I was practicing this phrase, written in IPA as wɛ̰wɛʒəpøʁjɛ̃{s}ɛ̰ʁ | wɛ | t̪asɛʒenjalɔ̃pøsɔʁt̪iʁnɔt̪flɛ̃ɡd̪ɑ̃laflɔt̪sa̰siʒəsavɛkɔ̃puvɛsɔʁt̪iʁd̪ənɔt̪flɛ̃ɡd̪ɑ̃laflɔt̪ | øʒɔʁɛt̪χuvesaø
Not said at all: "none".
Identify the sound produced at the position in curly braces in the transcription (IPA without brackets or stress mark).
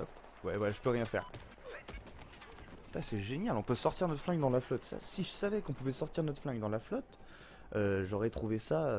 f